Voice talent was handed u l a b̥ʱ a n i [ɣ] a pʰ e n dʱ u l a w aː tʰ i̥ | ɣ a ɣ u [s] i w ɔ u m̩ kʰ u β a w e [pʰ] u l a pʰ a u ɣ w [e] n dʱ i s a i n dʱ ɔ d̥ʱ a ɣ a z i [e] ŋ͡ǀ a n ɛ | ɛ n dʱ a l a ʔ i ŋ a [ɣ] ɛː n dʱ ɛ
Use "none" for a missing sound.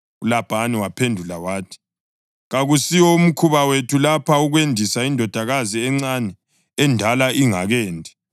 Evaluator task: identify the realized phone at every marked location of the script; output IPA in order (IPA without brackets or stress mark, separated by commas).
w, s, tʰ, e, ɛ, ɣ